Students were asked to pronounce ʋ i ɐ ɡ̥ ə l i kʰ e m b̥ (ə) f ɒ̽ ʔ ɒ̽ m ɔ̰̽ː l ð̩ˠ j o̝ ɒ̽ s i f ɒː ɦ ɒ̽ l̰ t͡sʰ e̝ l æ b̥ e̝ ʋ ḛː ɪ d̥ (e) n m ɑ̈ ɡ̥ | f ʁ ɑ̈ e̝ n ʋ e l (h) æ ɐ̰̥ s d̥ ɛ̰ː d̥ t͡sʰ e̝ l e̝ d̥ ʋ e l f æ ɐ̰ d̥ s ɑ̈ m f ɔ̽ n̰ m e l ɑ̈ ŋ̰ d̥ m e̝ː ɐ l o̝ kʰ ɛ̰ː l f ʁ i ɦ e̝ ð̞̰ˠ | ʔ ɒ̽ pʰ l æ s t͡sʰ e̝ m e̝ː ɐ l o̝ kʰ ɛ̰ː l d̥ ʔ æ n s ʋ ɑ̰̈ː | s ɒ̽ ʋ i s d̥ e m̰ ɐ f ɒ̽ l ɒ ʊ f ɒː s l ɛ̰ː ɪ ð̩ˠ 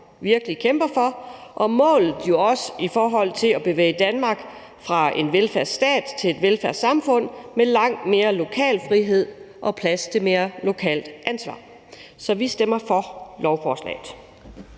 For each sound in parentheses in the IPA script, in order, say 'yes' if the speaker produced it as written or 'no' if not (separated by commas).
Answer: no, no, no